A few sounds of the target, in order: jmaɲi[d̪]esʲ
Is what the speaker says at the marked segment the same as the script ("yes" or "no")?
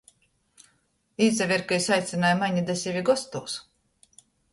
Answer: yes